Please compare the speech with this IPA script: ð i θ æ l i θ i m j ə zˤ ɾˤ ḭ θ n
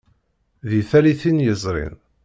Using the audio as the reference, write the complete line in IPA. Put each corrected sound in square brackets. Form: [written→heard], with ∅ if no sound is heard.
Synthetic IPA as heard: ð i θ æ l i θ i [m→n] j ə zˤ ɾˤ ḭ [θ→∅] n